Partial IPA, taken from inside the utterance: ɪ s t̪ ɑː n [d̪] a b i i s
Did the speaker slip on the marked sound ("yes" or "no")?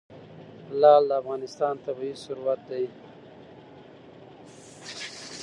yes